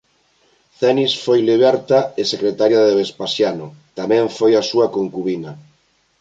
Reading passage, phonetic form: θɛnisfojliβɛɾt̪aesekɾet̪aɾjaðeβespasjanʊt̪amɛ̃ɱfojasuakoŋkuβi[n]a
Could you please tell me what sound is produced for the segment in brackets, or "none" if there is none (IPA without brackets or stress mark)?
n